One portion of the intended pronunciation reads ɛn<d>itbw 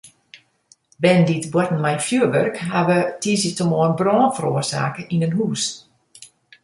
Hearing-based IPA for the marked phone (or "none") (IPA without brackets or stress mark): d